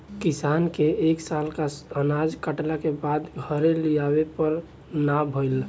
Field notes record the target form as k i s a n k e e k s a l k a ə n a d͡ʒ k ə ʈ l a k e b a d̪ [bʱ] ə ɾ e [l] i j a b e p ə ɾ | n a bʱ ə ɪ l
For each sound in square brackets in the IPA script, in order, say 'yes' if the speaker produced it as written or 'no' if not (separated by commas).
no, yes